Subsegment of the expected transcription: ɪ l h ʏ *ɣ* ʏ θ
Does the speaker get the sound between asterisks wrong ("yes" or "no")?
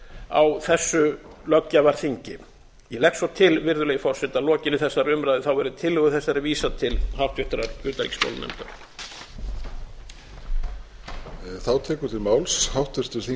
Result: no